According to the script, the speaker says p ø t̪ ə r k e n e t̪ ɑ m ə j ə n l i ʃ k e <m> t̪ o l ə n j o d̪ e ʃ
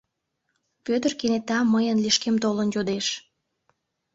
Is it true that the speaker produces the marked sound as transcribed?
yes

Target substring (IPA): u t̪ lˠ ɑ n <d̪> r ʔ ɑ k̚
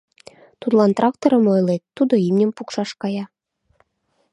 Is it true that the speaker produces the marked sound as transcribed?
no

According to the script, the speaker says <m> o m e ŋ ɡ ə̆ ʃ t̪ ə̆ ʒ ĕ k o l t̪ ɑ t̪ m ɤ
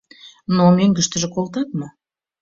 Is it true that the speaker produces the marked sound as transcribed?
no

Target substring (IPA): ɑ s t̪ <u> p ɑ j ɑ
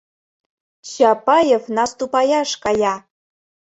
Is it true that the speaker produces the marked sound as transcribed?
yes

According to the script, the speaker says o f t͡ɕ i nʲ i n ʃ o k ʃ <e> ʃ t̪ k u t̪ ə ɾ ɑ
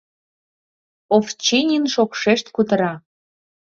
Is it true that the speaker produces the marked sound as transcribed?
yes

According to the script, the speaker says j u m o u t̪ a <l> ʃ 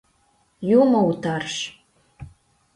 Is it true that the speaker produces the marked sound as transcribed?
no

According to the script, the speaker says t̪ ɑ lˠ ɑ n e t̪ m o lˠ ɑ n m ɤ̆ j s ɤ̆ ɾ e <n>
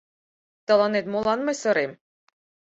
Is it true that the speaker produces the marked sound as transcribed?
no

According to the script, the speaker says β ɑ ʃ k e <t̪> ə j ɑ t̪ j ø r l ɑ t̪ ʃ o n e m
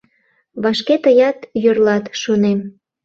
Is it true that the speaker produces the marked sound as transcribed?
yes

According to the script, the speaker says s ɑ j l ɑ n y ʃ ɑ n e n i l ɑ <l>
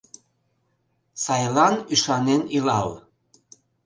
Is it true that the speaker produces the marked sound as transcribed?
yes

